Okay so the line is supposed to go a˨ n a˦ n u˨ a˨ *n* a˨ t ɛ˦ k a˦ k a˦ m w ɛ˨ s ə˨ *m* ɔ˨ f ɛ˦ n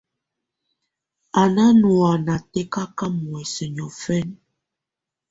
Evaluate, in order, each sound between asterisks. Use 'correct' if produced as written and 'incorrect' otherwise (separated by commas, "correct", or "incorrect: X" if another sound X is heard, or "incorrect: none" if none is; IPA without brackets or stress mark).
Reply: correct, incorrect: ɲ